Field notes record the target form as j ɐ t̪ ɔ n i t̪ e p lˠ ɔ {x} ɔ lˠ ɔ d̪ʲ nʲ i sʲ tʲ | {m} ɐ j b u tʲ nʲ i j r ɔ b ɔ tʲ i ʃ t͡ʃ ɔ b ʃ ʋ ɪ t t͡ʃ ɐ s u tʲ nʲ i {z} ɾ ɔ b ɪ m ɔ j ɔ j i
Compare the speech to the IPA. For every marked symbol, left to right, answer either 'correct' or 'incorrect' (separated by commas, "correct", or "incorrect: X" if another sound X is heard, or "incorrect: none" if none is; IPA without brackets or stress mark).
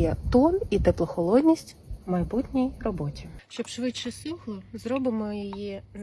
correct, correct, correct